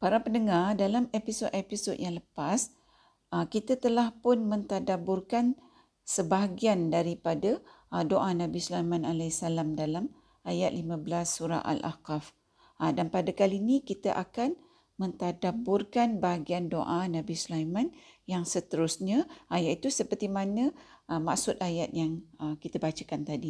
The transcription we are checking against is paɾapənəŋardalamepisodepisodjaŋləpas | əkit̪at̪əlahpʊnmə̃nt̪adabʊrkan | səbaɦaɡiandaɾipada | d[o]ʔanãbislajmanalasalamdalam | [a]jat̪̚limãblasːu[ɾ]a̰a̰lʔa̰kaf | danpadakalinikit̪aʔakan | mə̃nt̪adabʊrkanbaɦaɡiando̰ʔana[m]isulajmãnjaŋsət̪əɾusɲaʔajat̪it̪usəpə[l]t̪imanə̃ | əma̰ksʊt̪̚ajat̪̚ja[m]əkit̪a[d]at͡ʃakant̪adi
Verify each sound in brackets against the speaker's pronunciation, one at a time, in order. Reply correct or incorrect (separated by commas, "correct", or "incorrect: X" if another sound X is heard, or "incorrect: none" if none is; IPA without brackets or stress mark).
correct, correct, correct, incorrect: b, incorrect: r, incorrect: ŋ, incorrect: b